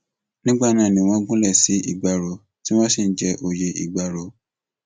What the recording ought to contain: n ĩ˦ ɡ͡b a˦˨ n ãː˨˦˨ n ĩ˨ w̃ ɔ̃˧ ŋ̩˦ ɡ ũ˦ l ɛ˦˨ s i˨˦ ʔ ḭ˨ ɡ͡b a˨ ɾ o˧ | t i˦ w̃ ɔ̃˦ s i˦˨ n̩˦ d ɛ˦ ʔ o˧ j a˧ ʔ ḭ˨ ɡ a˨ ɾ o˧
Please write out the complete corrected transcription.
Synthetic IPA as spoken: n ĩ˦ ɡ͡b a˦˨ n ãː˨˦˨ n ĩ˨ w̃ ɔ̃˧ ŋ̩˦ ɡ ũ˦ l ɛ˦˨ s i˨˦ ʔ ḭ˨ ɡ͡b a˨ ɾ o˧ | t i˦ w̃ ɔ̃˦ s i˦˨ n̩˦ d͡ʒ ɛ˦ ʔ o˧ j e˧ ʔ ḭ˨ ɡ͡b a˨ ɾ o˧